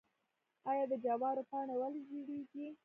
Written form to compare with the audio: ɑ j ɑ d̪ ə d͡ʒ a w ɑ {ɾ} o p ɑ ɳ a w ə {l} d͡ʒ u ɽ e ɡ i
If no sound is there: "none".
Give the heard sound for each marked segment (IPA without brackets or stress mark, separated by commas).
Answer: ɾ, l